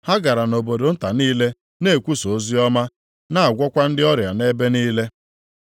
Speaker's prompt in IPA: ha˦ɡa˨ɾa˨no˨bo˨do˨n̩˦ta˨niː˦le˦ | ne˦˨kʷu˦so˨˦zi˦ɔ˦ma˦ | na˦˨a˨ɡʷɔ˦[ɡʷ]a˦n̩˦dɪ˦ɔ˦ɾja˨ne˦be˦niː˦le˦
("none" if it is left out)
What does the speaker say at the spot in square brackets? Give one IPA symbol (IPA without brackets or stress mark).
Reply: kʷ